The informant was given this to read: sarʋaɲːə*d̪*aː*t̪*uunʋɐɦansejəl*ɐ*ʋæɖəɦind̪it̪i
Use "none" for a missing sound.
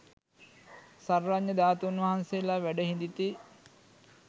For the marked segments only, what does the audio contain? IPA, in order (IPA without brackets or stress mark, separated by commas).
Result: d̪, t̪, a